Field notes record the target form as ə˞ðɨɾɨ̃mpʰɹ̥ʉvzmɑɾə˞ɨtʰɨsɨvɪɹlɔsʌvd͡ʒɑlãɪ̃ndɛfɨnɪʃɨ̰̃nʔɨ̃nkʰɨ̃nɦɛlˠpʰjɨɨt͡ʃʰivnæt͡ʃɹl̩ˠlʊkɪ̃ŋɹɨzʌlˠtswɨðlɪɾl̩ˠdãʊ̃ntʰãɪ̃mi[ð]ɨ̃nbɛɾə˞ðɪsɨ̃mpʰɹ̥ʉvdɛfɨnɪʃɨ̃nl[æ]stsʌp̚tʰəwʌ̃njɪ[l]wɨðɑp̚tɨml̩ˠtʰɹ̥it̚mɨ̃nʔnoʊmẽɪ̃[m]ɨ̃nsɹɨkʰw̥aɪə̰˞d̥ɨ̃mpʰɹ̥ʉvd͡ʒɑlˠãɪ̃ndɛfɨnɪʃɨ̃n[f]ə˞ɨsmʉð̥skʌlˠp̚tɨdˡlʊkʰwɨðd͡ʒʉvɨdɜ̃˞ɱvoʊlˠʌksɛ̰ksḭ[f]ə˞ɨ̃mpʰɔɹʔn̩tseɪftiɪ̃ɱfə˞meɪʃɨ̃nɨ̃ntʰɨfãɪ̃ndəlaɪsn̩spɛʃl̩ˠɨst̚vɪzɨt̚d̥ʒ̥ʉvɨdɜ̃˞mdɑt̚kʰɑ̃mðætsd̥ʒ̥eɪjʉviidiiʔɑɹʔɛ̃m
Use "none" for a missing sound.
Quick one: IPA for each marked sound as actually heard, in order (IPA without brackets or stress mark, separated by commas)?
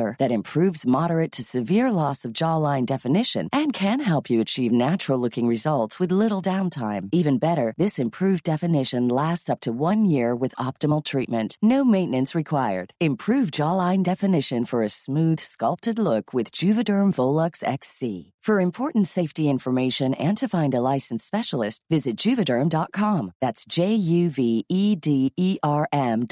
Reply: v, æ, ɹ, n, f, f